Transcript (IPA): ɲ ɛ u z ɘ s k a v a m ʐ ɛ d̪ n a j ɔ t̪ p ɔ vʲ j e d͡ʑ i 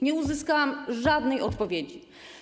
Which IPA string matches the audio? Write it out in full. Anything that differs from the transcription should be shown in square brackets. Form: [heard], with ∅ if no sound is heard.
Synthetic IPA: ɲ ɛ u z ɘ s k a [w] a m ʐ [a] d̪ n [ɛ] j ɔ t̪ p ɔ vʲ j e d͡ʑ i